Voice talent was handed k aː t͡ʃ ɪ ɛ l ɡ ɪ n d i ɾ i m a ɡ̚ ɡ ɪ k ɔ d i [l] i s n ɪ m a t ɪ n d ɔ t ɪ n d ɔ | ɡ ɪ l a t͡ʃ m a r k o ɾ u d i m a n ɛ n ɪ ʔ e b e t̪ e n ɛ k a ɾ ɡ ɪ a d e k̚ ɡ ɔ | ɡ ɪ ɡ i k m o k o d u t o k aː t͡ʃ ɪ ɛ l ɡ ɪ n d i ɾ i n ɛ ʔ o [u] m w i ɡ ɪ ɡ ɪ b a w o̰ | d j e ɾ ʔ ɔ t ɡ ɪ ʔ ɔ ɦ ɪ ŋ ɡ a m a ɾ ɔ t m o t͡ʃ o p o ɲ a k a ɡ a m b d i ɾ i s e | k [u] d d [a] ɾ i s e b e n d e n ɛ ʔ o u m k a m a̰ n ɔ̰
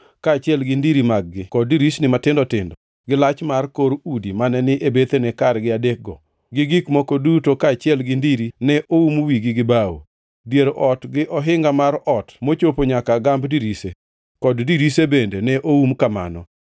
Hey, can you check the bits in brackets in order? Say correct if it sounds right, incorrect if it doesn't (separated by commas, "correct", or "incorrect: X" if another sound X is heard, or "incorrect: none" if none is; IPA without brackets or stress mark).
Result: incorrect: ɾ, correct, incorrect: ɔ, incorrect: i